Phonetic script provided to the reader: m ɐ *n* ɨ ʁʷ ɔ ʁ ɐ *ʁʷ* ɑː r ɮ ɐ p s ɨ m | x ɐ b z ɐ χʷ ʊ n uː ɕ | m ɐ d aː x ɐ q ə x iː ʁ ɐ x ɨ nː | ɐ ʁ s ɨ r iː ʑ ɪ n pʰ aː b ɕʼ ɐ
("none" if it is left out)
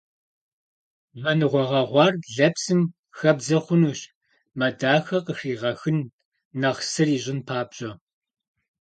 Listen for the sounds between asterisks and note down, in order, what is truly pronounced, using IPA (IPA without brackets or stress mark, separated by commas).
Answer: n, ʁʷ